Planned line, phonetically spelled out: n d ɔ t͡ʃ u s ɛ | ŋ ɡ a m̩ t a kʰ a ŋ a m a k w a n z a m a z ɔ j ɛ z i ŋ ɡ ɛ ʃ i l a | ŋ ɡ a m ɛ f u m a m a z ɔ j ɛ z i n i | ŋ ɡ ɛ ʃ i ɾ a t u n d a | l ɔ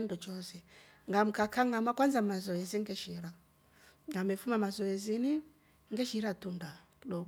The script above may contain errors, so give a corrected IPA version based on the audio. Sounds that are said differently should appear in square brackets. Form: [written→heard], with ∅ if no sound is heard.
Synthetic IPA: n d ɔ t͡ʃ [u→ɔ] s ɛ | ŋ ɡ a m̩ [t→k] a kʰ a ŋ a m a k w a n z a m a z ɔ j ɛ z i ŋ ɡ ɛ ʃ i [l→ɾ] a | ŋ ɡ a m ɛ f u m a m a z ɔ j ɛ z i n i | ŋ ɡ ɛ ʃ i ɾ a t u n d a | l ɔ